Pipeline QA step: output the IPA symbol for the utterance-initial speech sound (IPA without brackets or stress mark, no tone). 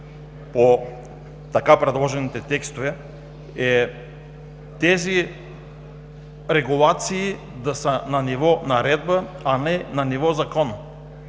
p